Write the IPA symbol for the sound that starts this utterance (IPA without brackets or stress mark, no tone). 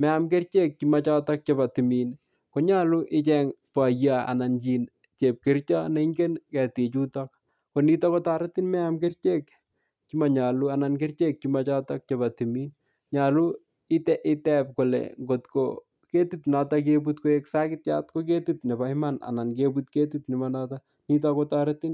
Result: m